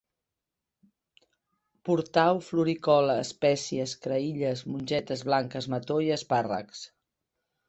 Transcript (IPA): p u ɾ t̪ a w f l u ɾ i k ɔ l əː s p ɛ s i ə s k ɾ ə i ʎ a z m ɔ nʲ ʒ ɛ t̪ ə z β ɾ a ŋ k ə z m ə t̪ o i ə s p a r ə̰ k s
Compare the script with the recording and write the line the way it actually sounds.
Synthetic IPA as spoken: p u ɾ t̪ a w f l u ɾ i k ɔ l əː s p ɛ s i ə s k ɾ ə i ʎ ə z m u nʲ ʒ ɛ t̪ ə z β l a ŋ k ə z m ə t̪ o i ə s p a r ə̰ k s